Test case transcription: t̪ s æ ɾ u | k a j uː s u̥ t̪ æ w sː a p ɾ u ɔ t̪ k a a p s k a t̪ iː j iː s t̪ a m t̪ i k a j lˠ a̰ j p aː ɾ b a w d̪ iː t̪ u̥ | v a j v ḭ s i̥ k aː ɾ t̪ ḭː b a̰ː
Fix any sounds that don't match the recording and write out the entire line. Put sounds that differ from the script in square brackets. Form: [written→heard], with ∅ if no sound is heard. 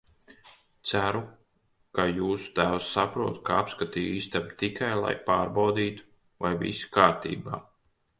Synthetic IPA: t̪ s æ ɾ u | k a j uː s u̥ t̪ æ w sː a p ɾ u ɔ t̪ k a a p s k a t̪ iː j iː s t̪ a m t̪ i k a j lˠ a̰ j p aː ɾ b a w d̪ iː t̪ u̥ | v a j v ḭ s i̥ k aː ɾ t̪ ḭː b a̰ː

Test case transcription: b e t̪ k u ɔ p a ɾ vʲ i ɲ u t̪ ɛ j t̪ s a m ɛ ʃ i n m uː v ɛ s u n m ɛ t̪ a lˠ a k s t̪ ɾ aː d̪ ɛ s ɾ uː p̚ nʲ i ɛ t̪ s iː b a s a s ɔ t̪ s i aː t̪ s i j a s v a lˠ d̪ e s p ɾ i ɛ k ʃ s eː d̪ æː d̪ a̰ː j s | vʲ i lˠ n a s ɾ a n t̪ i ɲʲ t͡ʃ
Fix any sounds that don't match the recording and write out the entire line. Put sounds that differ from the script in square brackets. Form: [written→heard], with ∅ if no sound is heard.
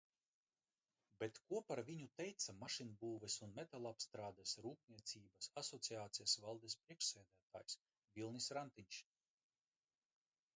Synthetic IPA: b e t̪ k u ɔ p a ɾ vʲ i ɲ u t̪ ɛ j t̪ s a m [ɛ→a] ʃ i n [m→b] uː v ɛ s u n m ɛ t̪ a lˠ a [k→p] s t̪ ɾ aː d̪ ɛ s ɾ uː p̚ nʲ i ɛ t̪ s iː b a s a s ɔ t̪ s i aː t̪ s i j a s v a lˠ d̪ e s p ɾ i ɛ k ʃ s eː d̪ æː [d̪→t̪] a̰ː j s | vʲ i lˠ n [a→i] s ɾ a n t̪ i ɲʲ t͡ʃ

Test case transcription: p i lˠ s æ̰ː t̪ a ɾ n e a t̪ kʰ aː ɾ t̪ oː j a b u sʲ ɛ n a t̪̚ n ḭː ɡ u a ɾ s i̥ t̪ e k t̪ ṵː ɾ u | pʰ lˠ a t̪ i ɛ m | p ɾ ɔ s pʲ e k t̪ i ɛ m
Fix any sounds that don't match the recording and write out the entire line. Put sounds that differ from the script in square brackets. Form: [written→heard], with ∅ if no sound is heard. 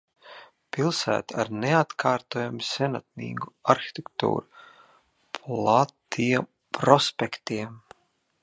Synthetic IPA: p i lˠ s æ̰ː t̪ a ɾ n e a t̪ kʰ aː ɾ t̪ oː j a [b→m] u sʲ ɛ n a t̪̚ n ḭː ɡ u a ɾ [s→x] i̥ t̪ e k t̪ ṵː ɾ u | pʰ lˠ a t̪ i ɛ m | p ɾ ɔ s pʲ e k t̪ i ɛ m

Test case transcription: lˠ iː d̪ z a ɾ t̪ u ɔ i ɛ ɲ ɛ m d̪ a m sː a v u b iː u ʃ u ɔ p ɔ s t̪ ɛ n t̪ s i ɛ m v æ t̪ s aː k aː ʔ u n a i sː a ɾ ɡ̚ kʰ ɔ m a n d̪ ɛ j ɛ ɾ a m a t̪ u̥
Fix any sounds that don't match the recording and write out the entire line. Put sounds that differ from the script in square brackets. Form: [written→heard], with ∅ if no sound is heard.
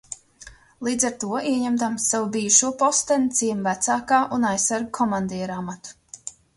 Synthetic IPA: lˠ iː d̪ z a ɾ t̪ u ɔ i ɛ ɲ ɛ m d̪ a m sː a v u b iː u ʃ u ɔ p ɔ s t̪ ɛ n t̪ s i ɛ m v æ t̪ s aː k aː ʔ u n a [i→j] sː a ɾ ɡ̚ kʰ ɔ m a n d̪ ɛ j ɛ ɾ a m a t̪ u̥

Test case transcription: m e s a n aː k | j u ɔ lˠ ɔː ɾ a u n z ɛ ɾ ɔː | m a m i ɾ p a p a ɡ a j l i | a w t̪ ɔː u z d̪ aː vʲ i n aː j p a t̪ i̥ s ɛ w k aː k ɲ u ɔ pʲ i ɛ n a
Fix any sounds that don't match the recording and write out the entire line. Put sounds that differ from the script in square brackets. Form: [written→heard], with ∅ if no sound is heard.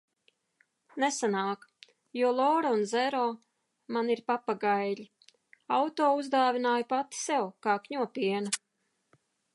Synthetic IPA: [m→n] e s a n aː k | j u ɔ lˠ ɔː ɾ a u n z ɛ ɾ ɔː | m a [m→n] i ɾ p a p a ɡ a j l i | a w t̪ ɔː u z d̪ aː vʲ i n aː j p a t̪ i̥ s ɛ w k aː k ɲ u ɔ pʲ i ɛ n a

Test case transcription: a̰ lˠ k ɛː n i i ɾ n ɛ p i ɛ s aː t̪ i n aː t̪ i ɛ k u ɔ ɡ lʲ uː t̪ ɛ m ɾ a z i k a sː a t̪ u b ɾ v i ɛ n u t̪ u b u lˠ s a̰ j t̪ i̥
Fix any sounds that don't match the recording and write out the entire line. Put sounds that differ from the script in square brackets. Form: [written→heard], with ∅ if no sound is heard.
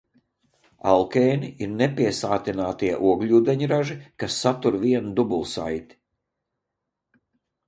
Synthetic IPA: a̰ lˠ k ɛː n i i ɾ n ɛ p i ɛ s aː t̪ i n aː t̪ i ɛ [k→ʔ] u ɔ ɡ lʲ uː [t̪→d̪] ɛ [m→ɲ] ɾ a [z→ʒ] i k a sː a t̪ u [b→∅] ɾ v i ɛ n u [t̪→d̪] u b u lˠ s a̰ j t̪ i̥

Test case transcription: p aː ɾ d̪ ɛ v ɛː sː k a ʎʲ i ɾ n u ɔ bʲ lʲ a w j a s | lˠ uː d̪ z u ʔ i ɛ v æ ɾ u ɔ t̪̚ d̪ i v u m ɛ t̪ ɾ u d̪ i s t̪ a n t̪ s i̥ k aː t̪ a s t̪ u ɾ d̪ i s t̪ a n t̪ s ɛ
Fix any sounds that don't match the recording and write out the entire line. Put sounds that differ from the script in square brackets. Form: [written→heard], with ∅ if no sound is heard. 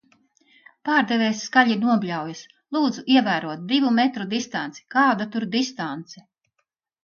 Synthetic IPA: p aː ɾ d̪ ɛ v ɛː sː k a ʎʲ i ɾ n u ɔ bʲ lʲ a w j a s | lˠ uː d̪ z u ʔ i ɛ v [æ→æː] ɾ u ɔ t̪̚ d̪ i v u m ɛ t̪ ɾ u d̪ i s t̪ a n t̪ s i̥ k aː [t̪→d̪] a [s→∅] t̪ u ɾ d̪ i s t̪ a n t̪ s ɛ

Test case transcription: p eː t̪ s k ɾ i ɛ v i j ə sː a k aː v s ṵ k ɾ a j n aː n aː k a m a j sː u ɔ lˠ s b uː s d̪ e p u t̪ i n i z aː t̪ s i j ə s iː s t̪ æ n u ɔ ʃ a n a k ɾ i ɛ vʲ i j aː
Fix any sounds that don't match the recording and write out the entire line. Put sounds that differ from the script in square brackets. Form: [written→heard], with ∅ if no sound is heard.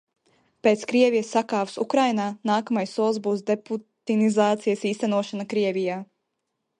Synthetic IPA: p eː t̪ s k ɾ i ɛ v i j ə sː a k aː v s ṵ k ɾ a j n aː n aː k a m a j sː u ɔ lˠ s b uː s d̪ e p u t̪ i n i z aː t̪ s i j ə s iː s t̪ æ n u ɔ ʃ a n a k ɾ i ɛ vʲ i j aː

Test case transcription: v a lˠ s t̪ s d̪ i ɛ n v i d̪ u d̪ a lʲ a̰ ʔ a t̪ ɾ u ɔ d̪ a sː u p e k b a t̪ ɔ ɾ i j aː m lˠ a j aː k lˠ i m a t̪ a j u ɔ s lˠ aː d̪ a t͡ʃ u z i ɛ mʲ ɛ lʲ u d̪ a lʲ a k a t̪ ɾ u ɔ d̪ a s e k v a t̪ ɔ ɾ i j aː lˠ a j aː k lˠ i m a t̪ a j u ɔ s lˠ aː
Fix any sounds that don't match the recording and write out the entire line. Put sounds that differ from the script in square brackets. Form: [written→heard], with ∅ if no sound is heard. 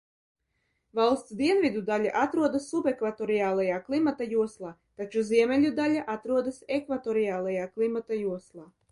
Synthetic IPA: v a lˠ s t̪ s d̪ i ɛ n v i d̪ u d̪ a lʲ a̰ ʔ a t̪ ɾ u ɔ d̪ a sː u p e k [b→v] a t̪ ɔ ɾ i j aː [m→∅] lˠ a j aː k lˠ i m a t̪ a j u ɔ s lˠ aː [d̪→t̪] a t͡ʃ u z i ɛ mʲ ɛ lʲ u d̪ a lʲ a [k→ʔ] a t̪ ɾ u ɔ d̪ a s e k v a t̪ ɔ ɾ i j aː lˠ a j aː k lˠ i m a t̪ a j u ɔ s lˠ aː

